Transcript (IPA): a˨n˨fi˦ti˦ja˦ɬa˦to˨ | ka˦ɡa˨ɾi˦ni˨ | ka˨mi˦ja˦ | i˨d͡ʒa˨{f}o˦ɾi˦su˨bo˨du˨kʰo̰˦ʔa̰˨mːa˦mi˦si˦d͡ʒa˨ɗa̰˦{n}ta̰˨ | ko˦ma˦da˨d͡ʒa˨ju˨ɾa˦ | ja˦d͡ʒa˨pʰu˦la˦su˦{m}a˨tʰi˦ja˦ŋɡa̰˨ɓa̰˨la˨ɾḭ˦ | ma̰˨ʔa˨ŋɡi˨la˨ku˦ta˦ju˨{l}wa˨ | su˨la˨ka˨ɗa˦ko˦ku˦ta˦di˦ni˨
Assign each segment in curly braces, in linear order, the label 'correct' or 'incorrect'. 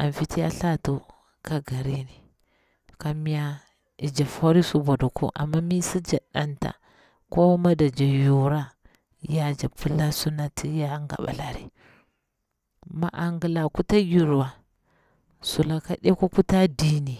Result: correct, correct, incorrect: n, incorrect: ɾ

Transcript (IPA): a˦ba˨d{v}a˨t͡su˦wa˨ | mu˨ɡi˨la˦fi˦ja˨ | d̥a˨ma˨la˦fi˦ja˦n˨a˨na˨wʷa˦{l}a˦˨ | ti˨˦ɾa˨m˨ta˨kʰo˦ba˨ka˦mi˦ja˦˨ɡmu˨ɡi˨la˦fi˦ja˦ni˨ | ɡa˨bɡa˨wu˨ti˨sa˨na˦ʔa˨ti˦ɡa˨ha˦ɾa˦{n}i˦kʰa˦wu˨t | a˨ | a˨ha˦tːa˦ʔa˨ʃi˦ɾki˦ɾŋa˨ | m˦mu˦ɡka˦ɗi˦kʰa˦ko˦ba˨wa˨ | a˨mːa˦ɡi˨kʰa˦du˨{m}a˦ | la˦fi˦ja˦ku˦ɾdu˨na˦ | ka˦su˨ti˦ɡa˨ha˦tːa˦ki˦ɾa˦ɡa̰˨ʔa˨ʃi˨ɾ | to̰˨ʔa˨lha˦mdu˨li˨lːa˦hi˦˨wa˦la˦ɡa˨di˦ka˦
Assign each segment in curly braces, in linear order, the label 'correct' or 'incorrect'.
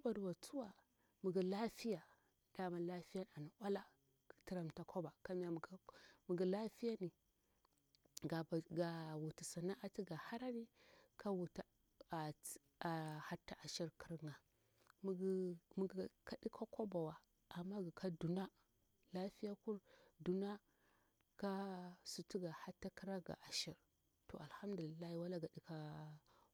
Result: incorrect: w, correct, correct, incorrect: n

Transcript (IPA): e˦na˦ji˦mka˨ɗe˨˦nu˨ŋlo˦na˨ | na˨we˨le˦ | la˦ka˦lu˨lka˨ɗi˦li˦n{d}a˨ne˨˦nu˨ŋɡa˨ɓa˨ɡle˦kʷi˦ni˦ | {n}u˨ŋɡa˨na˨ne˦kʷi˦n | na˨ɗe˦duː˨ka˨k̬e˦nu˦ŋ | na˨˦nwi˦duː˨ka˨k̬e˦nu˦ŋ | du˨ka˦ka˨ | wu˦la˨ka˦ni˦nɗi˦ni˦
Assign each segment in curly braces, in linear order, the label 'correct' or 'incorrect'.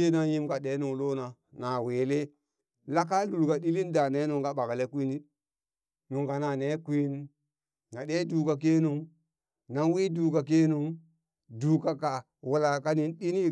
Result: correct, correct

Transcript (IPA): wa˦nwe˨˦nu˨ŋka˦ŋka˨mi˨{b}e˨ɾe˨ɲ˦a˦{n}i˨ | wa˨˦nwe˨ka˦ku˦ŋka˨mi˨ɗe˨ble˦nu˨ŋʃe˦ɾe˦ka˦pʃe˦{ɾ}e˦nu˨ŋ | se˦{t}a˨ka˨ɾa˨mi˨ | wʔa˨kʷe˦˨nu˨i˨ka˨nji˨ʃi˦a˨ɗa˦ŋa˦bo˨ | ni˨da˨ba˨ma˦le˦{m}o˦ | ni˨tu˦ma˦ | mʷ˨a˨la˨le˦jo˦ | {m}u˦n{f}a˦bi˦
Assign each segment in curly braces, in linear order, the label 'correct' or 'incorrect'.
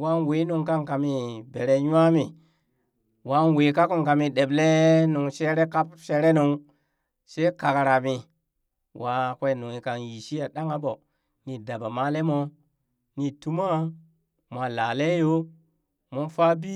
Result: correct, incorrect: m, correct, incorrect: k, correct, correct, correct

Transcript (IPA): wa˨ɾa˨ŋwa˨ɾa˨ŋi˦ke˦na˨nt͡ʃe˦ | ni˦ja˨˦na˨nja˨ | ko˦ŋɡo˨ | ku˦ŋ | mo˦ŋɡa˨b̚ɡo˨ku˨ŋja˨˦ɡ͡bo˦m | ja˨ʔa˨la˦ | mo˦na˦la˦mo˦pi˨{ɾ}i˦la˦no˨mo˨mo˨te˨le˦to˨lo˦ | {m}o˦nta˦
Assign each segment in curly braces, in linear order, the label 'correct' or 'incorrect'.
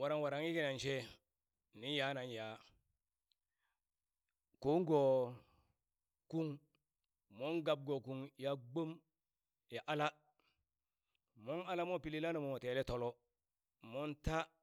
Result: incorrect: l, correct

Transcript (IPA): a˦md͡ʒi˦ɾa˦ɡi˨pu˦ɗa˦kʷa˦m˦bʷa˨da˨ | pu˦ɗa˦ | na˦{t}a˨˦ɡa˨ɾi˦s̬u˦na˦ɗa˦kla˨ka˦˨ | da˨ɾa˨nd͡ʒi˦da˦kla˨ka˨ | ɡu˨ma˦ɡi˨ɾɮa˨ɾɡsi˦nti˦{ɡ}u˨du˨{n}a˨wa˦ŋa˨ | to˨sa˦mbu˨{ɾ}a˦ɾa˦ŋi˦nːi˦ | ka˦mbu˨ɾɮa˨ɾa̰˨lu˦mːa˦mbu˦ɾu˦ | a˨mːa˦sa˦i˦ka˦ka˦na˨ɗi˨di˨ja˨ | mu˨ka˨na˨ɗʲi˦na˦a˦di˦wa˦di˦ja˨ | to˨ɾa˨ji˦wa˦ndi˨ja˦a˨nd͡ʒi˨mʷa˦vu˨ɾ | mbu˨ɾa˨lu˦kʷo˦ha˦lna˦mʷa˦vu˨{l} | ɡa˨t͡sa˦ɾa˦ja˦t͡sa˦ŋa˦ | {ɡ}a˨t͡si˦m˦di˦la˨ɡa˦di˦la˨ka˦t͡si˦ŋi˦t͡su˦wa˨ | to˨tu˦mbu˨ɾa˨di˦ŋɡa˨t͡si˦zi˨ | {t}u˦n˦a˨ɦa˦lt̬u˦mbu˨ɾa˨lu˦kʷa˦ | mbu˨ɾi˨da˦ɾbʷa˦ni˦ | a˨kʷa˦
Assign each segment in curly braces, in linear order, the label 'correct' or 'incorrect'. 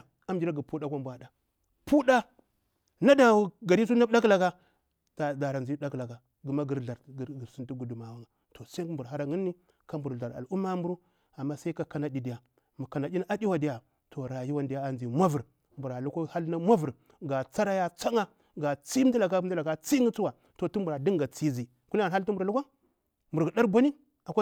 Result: incorrect: d, correct, incorrect: m, correct, incorrect: ɾ, correct, incorrect: k

